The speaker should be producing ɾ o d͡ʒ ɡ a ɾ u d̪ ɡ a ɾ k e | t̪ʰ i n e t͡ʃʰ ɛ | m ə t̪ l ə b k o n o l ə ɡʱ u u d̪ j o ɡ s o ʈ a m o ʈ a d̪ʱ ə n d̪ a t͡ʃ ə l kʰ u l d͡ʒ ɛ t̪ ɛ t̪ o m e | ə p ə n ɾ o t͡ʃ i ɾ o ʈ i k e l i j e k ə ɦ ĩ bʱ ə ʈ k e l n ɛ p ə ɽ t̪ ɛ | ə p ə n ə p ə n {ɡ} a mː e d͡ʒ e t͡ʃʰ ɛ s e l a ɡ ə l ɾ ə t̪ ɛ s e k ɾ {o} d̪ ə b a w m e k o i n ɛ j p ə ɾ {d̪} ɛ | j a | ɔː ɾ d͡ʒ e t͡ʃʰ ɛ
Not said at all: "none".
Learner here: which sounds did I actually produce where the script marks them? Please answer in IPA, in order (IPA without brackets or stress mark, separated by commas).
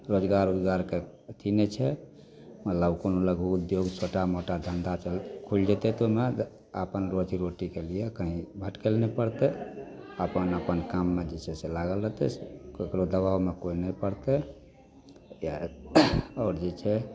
k, o, t̪